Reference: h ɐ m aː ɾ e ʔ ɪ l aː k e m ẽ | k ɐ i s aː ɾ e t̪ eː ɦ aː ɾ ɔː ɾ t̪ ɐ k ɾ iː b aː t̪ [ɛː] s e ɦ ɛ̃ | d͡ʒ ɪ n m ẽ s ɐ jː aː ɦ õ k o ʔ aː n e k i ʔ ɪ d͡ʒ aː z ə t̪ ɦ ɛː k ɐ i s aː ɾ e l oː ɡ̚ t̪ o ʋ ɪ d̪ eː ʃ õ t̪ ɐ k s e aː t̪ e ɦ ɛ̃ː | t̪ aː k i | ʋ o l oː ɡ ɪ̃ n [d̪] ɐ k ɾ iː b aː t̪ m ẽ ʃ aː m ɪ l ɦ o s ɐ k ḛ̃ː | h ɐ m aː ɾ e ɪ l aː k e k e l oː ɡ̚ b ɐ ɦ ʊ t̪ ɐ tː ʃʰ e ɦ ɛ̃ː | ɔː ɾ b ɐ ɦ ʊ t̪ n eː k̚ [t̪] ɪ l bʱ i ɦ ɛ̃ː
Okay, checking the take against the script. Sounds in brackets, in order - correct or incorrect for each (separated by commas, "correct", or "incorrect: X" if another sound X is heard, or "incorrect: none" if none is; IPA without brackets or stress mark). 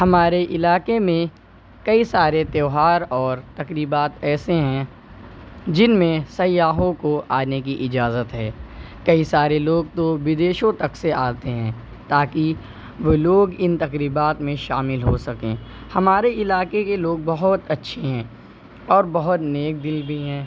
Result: correct, incorrect: t̪, incorrect: d̪